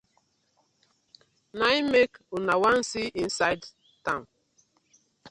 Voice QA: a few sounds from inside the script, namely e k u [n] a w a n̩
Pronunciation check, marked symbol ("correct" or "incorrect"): correct